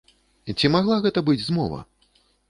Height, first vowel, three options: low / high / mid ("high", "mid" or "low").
high